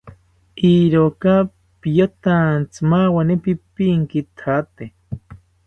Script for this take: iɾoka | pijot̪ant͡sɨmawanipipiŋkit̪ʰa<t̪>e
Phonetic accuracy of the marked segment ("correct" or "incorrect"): correct